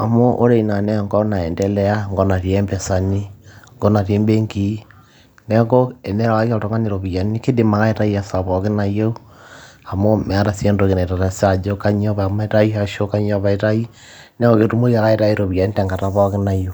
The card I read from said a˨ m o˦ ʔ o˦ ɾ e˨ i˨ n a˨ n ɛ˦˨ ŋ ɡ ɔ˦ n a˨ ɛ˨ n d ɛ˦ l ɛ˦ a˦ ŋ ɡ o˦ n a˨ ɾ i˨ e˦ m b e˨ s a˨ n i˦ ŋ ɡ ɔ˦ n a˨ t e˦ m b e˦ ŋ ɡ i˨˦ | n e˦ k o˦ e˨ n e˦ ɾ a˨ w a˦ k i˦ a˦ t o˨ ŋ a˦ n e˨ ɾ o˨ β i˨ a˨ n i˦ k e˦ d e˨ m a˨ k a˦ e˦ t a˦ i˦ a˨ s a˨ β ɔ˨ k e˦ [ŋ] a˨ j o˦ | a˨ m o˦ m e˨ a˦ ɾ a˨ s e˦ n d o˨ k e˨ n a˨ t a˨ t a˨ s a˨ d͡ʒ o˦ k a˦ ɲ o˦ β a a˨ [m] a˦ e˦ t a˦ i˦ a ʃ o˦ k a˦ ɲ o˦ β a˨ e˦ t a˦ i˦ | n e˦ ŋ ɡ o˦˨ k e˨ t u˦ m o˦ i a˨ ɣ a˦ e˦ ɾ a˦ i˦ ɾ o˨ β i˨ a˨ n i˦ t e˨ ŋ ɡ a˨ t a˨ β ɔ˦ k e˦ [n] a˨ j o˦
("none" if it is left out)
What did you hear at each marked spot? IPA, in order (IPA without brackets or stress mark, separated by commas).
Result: n, m, n